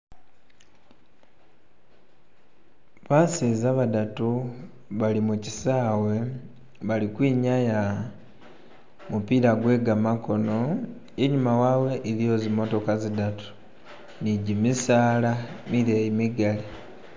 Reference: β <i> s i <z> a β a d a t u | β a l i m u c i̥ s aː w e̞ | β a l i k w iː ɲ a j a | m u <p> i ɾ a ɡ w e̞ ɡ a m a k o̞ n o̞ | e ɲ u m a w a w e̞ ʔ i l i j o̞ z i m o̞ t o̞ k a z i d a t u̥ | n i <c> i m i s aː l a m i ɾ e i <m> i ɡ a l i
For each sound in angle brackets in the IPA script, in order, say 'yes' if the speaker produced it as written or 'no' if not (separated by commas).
no, yes, yes, no, yes